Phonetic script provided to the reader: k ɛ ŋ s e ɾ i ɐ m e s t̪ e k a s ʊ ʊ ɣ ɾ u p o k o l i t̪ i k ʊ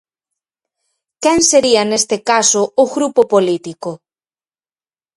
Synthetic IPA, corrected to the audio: k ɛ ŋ s e ɾ i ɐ n e s t̪ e k a s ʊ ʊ ɣ ɾ u p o p o l i t̪ i k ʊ